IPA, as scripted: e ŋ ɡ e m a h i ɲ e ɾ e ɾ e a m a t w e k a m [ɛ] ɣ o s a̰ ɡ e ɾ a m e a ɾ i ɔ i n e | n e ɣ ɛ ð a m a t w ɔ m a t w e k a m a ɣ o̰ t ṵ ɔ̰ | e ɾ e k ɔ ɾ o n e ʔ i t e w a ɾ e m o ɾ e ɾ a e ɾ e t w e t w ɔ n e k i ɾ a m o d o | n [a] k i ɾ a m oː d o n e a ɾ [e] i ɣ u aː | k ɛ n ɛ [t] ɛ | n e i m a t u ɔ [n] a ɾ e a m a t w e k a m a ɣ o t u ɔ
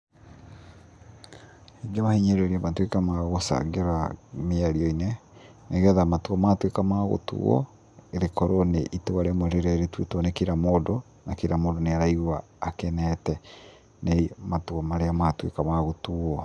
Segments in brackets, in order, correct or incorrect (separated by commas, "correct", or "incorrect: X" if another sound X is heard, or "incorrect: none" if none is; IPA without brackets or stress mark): incorrect: a, correct, incorrect: a, correct, incorrect: m